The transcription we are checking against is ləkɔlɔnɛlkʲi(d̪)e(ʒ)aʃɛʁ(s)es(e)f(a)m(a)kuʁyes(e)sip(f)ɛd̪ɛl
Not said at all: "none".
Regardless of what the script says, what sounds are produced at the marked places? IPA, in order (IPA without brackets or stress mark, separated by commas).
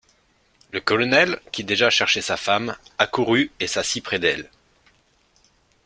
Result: d̪, ʒ, ʃ, a, a, a, a, χ